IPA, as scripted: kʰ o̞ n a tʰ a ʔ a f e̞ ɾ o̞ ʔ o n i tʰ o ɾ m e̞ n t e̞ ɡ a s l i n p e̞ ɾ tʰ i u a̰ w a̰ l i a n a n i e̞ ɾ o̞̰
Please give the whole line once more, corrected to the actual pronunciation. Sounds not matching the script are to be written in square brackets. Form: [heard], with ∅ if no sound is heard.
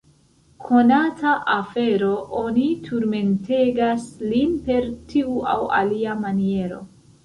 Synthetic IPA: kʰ o̞ n a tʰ a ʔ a f e̞ ɾ o̞ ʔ o n i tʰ [u] ɾ m e̞ n t e̞ ɡ a s l i n p e̞ ɾ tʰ i u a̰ w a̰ l i a [m] a n i e̞ ɾ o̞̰